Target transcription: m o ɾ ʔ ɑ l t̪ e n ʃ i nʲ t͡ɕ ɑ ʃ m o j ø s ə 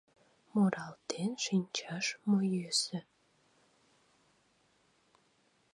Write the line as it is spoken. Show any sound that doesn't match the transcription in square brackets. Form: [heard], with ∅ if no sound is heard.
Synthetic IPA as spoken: m o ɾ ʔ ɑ l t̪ e n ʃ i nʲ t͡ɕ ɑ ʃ m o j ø s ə